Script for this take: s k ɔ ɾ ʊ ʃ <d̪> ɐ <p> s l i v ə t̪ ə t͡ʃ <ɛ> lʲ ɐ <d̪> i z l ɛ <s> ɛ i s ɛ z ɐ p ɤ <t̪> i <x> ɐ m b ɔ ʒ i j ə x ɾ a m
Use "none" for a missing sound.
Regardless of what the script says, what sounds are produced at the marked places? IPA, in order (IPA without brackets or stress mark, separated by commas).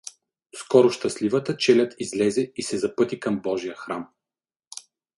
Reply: t̪, none, ɛ, t̪, z, t̪, k